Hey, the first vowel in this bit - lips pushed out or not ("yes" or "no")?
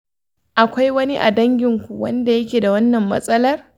no